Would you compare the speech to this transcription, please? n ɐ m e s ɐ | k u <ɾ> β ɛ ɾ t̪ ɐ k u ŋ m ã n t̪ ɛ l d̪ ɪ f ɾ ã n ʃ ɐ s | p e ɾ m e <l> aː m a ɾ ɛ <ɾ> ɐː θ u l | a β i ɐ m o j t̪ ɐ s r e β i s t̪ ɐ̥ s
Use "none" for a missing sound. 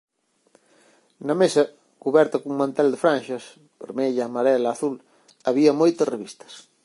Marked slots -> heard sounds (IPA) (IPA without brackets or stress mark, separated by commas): none, ʎ, l